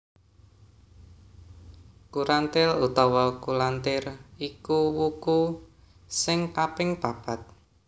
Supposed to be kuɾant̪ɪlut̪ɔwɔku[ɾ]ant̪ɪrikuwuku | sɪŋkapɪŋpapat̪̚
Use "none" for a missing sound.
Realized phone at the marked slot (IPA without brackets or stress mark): l